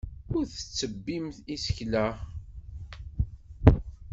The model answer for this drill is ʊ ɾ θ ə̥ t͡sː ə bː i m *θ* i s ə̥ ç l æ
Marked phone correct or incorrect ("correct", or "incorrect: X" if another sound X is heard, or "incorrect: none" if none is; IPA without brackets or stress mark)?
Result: correct